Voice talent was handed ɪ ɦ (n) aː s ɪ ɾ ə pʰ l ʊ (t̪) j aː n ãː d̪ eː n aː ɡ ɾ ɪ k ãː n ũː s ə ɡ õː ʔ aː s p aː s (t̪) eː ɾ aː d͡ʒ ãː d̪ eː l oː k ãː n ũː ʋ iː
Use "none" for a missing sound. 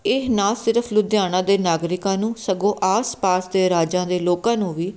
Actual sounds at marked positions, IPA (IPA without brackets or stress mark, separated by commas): n, d̪, d̪